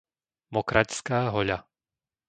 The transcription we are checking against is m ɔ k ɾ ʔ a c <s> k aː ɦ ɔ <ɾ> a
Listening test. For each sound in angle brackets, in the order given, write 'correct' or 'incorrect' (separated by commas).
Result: correct, incorrect